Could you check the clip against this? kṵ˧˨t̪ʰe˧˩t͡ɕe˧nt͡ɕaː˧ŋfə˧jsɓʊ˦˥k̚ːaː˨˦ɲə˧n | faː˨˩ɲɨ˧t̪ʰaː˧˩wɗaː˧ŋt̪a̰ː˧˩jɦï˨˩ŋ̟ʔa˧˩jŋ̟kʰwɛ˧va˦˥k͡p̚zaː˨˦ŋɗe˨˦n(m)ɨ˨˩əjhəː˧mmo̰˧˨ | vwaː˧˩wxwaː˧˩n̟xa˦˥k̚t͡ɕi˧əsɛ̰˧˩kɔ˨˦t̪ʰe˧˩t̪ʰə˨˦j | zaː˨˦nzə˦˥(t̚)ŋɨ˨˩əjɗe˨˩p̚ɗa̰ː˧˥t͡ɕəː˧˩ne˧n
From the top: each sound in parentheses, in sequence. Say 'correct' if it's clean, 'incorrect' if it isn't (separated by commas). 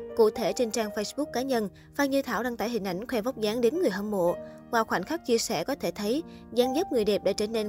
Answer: incorrect, incorrect